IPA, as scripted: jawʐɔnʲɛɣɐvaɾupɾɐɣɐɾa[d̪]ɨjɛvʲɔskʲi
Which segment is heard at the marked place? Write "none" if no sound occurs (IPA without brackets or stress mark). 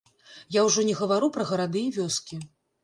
d̪